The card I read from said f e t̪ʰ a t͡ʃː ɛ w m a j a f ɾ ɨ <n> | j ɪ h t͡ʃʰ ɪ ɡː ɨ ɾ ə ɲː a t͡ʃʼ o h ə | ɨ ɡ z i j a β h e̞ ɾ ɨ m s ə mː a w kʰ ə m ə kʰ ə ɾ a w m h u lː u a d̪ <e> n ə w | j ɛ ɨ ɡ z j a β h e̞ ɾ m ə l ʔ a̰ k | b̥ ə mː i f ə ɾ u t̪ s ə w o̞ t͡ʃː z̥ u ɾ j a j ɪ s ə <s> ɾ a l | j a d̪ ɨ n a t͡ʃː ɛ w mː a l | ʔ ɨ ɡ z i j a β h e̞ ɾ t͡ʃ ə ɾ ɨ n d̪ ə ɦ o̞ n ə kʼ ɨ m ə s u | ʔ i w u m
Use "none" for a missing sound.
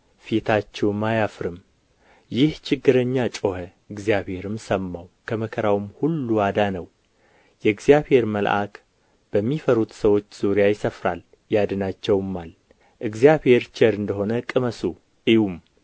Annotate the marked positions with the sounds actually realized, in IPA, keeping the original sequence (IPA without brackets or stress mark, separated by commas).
m, a, f